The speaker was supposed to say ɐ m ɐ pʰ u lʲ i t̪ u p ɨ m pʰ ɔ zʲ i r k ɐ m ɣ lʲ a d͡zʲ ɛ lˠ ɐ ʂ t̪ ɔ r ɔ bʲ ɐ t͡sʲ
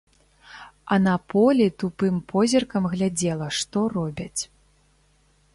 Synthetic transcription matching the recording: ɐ n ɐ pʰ ɔ lʲ i t̪ u p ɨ m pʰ ɔ zʲ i r k ɐ m ɣ lʲ a d͡zʲ ɛ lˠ ɐ ʂ t̪ ɔ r ɔ bʲ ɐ t͡sʲ

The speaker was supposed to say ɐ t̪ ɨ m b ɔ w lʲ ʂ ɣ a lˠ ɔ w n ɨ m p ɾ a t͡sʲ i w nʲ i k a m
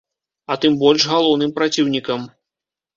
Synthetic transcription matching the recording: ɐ t̪ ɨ m b ɔ lʲ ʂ ɣ a lˠ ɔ w n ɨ m p ɾ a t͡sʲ i w nʲ i k ɐ m

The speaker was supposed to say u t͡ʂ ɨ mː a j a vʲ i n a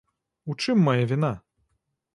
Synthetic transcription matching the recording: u t͡ʂ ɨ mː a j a vʲ i n a

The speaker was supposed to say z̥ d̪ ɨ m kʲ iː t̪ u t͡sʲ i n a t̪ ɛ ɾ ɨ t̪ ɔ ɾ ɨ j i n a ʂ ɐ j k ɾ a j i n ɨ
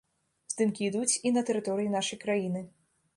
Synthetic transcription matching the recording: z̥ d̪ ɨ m kʲ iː d̪ u t͡sʲ i n ɐ t̪ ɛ ɾ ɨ t̪ ɔ ɾ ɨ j i n a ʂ ɐ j k ɾ a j i n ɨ

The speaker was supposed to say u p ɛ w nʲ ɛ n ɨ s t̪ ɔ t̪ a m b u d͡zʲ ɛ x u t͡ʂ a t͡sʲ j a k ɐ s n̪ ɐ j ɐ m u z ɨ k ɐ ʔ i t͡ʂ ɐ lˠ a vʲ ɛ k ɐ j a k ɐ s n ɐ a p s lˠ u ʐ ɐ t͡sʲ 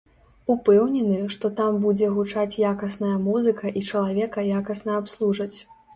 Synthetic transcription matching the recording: u p ɛ w nʲ ɛ n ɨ ʂ t̪ ɔ t̪ a m b u d͡zʲ ɛ ɣ u t͡ʂ a t͡sʲ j a k ɐ s n̪ ɐ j ɐ m u z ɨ k ɐ ʔ i t͡ʂ ɐ lˠ a vʲ ɛ k ɐ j a k ɐ s n ɐ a p s lˠ u ʐ ɐ t͡sʲ

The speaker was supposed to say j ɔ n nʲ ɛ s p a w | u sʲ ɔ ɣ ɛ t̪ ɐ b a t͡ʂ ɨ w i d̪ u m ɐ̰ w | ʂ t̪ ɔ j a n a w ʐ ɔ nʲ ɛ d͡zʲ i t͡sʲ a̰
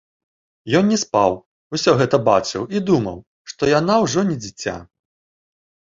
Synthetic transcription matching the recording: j ɔ n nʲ ɛ s p a w | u sʲ ɔ ɣ ɛ t̪ ɐ b a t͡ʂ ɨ w i d̪ u m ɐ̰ w | ʂ t̪ ɔ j a n a w ʐ ɔ nʲ ɛ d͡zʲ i t͡sʲ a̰

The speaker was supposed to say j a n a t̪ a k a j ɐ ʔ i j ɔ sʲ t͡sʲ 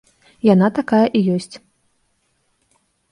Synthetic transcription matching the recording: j a n a t̪ a k a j ɐ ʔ i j ɔ sʲ t͡sʲ

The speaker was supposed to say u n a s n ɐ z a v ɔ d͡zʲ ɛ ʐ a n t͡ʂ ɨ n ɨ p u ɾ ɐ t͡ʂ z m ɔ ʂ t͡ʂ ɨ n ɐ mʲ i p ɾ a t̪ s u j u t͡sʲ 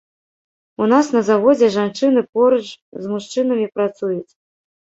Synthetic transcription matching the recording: u n a s n ɐ z a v ɔ d͡zʲ ɛ ʐ a n t͡ʂ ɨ n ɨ p ɔ ɾ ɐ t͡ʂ z m u ʂ t͡ʂ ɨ n ɐ mʲ i p ɾ a t̪ s u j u t͡sʲ

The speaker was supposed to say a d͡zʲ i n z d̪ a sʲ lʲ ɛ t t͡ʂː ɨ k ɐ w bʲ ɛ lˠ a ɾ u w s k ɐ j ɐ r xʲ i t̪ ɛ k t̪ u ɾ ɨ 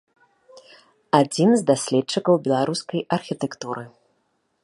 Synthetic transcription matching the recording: a d͡zʲ i n z d̪ a sʲ lʲ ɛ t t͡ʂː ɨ k ɐ w bʲ ɛ lˠ a ɾ u s k ɐ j ɐ r xʲ i t̪ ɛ k t̪ u ɾ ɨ

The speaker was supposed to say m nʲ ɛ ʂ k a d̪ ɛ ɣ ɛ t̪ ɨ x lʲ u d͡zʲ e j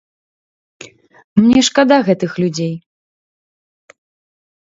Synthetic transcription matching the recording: m nʲ ɛ ʂ k a d̪ a ɣ ɛ t̪ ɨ x lʲ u d͡zʲ e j

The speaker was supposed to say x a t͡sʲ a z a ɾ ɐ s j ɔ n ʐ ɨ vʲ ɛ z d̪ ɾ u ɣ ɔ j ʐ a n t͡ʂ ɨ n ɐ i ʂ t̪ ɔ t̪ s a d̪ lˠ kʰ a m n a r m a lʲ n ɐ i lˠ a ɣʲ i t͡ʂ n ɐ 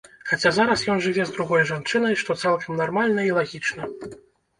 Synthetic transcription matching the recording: x a t͡sʲ a z a ɾ ɐ s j ɔ n ʐ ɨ vʲ ɛ z d̪ ɾ u ɣ ɔ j ʐ a n t͡ʂ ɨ n ɐ j ʂ t̪ ɔ t̪ s a lˠ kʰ ɐ m n a r m a lʲ n ɐ i lˠ a ɣʲ i t͡ʂ n ɐ

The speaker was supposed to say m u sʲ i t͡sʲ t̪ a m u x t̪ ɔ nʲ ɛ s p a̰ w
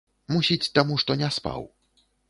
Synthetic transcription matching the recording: m u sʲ i t͡sʲ t̪ a m u ʂ t̪ ɔ nʲ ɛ s p a̰ w

